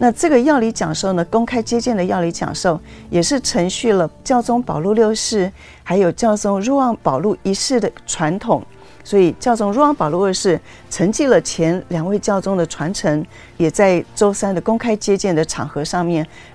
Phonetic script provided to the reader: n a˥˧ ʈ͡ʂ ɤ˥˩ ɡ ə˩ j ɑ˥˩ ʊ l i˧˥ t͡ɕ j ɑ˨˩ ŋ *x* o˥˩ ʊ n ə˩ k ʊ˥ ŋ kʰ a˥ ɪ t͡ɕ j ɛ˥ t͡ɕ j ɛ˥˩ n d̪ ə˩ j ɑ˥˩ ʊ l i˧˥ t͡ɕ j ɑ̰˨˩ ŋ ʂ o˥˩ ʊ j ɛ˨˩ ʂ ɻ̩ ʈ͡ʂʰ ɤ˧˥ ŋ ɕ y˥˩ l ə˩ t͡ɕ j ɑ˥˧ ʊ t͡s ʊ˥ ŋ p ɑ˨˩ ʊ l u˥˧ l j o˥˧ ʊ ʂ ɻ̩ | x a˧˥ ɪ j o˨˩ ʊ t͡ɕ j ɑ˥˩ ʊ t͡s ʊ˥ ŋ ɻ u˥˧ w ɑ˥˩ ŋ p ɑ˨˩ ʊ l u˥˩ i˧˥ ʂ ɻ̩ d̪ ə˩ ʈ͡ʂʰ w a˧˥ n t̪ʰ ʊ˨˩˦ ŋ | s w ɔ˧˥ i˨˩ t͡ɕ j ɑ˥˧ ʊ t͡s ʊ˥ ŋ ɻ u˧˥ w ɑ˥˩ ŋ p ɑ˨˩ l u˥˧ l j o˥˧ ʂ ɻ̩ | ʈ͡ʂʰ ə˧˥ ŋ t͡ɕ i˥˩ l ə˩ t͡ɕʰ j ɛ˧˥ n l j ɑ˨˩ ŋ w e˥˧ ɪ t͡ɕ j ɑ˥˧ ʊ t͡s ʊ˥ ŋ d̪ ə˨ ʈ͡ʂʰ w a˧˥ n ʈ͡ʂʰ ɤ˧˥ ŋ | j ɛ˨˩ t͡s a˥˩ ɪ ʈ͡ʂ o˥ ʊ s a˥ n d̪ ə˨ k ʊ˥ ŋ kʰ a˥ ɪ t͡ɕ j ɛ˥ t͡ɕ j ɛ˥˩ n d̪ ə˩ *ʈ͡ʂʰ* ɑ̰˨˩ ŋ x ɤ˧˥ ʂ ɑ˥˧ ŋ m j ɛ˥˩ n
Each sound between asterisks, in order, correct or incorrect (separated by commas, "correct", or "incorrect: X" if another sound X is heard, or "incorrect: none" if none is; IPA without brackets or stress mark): incorrect: ʂ, correct